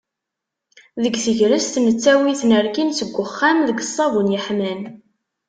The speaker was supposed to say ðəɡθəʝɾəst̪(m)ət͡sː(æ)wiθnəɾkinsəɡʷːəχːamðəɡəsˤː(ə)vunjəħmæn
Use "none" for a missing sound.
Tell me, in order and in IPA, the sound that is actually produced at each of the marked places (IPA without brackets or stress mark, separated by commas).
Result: n, æ, ɑ